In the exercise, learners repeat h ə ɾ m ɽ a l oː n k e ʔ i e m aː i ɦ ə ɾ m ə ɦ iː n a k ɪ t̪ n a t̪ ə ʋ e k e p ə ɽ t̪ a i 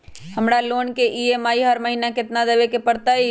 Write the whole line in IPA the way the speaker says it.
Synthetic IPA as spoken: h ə m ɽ a l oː n k e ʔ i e m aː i ɦ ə ɾ m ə ɦ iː n a k ɪ t̪ n a d̪ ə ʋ e k e p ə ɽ t̪ a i